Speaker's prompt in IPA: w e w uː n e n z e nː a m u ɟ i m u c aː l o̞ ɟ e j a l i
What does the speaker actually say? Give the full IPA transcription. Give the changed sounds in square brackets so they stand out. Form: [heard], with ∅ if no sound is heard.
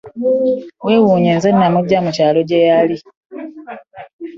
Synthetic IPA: w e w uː [ɲ] e n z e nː a m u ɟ [a] m u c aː l o̞ ɟ e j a l i